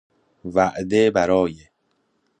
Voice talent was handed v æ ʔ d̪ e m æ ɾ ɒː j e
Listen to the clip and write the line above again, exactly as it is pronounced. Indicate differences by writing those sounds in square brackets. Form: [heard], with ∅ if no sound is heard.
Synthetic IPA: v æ ʔ d̪ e [b] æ ɾ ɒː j e